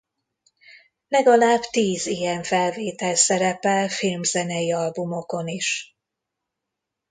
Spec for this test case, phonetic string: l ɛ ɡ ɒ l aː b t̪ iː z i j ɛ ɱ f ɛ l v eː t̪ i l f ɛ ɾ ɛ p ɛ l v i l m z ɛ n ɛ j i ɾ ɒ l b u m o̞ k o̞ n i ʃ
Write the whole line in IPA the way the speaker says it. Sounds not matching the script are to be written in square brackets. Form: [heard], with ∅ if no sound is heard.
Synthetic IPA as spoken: l ɛ ɡ ɒ l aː b t̪ iː z i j ɛ ɱ f ɛ l v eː t̪ [ɛ] l [s] ɛ ɾ ɛ p ɛ l [f] i l m z ɛ n ɛ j i [∅] ɒ l b u m o̞ k o̞ n i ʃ